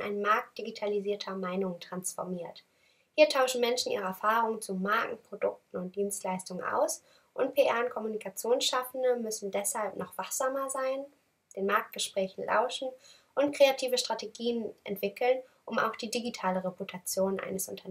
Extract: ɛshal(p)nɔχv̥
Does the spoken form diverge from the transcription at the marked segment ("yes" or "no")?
no